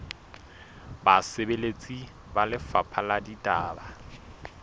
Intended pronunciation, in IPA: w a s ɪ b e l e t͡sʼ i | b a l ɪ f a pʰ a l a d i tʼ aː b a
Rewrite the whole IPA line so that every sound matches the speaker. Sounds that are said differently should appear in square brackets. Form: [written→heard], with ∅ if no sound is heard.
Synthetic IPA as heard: [w→b] a s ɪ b e l e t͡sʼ i | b a l ɪ f a pʰ a l a d i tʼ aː b a